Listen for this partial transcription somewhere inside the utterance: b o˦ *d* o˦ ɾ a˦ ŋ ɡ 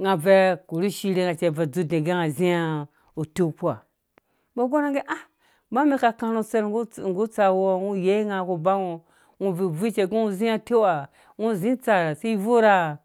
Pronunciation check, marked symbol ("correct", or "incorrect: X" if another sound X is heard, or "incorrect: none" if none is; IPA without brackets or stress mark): incorrect: ɡ